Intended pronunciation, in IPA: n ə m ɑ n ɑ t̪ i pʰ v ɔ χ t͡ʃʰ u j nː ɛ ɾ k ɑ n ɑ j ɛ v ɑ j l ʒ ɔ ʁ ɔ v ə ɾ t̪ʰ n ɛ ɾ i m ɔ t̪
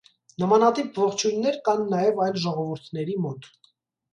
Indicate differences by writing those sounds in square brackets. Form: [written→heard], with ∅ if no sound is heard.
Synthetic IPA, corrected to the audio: n ə m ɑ n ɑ t̪ i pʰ v ɔ χ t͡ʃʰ u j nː ɛ ɾ k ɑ [n→nː] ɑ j ɛ v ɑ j l ʒ ɔ ʁ ɔ v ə ɾ t̪ʰ n ɛ ɾ i m ɔ t̪

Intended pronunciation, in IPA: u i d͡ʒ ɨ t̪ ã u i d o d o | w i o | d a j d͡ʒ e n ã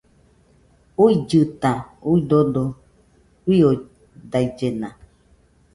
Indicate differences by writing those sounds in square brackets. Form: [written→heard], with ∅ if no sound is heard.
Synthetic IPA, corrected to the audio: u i d͡ʒ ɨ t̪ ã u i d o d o | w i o | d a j d͡ʒ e n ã

